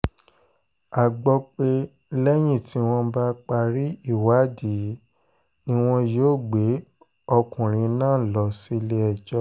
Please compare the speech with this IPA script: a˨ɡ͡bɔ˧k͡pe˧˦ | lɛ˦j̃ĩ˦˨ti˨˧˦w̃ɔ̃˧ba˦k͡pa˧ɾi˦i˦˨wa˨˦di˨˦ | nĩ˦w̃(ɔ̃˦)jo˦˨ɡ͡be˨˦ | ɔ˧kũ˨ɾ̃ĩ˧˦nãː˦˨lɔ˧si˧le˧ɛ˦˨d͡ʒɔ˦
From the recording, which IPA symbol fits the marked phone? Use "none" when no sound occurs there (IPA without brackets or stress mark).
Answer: ɔ̃˦